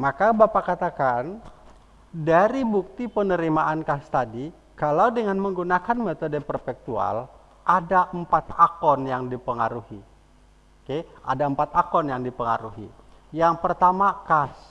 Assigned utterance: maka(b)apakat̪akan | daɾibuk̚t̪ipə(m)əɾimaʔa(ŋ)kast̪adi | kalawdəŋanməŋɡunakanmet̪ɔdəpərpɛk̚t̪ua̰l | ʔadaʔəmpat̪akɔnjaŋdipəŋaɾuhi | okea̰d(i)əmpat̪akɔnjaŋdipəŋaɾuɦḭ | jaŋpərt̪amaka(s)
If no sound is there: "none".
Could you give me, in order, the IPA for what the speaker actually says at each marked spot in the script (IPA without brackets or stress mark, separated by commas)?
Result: b, n, n, a, s